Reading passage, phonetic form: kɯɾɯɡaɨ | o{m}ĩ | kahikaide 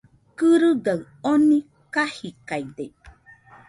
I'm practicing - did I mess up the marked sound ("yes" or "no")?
yes